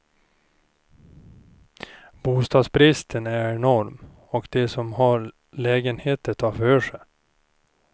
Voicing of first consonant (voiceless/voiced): voiced